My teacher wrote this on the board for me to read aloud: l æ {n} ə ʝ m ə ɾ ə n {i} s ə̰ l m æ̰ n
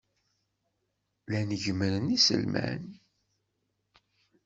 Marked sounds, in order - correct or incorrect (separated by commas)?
correct, correct